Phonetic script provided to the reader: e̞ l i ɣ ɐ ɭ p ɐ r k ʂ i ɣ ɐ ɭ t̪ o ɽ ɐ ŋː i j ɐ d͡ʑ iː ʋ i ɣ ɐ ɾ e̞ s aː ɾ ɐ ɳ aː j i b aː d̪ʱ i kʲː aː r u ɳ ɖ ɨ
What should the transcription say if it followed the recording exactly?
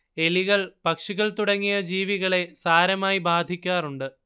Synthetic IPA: e̞ l i ɣ ɐ ɭ p ɐ k ʂ i ɣ ɐ ɭ t̪ u ɽ ɐ ŋː i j ɐ d͡ʑ iː ʋ i ɣ ɐ ɭ e̞ s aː ɾ ɐ m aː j i b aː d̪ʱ i kʲː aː r u ɳ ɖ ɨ